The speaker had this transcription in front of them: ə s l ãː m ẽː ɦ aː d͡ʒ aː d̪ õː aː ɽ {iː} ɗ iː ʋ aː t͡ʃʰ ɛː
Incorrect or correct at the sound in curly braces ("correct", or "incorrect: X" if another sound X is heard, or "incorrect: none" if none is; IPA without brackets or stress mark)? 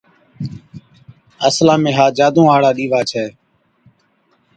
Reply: incorrect: aː